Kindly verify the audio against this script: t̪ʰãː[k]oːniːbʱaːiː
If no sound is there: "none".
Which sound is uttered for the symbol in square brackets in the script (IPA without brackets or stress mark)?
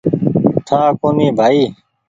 k